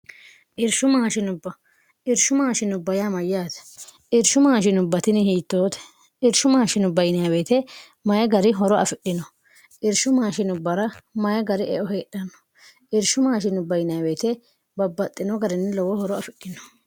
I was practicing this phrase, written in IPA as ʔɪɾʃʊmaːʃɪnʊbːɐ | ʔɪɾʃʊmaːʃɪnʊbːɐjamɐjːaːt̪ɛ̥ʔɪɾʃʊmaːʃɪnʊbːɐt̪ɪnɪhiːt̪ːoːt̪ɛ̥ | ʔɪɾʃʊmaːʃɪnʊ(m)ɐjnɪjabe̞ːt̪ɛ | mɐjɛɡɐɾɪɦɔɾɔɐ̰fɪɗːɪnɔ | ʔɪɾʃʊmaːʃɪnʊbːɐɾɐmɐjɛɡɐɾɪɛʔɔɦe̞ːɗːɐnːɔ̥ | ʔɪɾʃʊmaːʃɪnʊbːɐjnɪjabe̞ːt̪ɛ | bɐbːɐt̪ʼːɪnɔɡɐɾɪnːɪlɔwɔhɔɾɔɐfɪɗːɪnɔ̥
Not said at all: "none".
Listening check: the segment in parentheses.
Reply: b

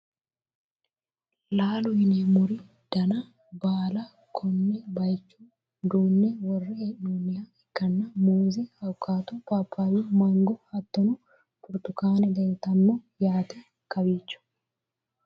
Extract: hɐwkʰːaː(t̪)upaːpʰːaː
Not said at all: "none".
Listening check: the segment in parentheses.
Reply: t̪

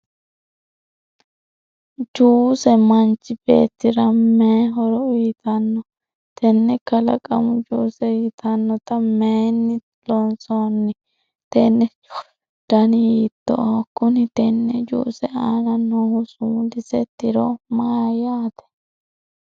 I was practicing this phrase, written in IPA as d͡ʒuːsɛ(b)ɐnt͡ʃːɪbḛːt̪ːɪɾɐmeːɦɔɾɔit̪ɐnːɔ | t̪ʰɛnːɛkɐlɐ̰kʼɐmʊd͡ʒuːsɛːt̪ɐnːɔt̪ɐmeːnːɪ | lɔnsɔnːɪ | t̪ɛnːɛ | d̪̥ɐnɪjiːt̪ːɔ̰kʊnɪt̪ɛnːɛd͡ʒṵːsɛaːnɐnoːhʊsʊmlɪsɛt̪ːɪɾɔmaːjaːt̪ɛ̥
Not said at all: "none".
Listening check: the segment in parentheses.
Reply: m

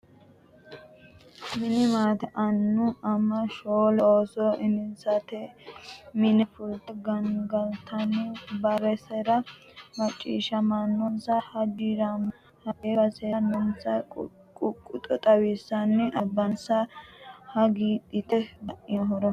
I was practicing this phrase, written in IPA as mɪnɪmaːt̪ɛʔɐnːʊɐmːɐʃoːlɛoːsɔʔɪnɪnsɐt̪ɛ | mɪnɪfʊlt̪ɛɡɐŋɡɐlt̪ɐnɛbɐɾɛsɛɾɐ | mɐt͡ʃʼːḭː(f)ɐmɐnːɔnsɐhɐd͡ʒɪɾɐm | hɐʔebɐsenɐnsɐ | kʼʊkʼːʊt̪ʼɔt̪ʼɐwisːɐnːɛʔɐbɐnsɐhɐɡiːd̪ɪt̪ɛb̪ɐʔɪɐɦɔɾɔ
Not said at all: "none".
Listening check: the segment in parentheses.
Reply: ʃ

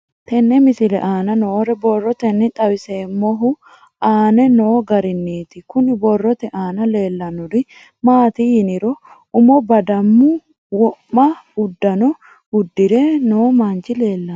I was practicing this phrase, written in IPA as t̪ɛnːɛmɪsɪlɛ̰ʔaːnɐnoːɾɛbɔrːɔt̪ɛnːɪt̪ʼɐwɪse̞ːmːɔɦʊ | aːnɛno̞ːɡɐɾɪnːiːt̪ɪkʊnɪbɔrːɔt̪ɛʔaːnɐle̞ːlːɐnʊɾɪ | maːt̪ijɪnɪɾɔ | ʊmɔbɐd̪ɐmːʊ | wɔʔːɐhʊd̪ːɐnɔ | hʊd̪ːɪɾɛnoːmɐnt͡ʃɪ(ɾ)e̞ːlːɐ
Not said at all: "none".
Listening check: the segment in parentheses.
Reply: l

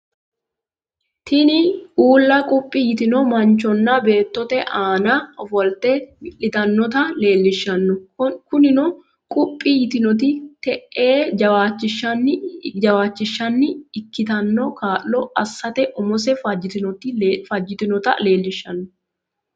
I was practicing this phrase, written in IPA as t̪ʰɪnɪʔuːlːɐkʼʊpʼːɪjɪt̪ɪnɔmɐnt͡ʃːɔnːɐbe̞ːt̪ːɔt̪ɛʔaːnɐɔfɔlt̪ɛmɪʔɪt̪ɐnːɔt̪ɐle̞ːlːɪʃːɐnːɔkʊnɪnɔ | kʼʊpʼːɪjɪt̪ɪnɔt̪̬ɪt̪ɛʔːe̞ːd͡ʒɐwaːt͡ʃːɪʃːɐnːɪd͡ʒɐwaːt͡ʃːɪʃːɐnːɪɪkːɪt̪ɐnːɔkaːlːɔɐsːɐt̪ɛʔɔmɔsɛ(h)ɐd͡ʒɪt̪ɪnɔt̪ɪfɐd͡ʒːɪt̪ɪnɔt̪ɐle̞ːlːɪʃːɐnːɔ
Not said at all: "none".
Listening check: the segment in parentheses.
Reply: f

